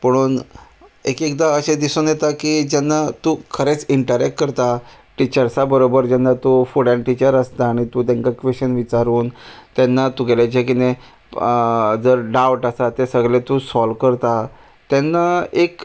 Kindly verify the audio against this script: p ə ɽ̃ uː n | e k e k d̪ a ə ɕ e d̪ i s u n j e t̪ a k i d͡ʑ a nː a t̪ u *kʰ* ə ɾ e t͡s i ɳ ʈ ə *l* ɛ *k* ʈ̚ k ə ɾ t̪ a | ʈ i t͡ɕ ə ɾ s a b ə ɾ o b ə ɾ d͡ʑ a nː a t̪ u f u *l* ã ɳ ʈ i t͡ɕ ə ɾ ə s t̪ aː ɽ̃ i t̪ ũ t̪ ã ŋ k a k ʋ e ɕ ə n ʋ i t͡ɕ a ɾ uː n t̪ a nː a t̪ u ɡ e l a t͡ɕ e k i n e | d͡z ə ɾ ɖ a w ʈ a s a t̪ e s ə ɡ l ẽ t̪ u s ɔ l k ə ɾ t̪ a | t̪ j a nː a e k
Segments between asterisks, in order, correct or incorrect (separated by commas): correct, incorrect, correct, incorrect